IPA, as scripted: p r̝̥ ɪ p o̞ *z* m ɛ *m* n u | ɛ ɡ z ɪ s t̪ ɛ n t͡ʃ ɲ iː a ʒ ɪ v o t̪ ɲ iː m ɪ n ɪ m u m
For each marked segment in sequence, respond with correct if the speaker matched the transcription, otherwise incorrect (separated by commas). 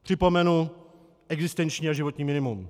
incorrect, incorrect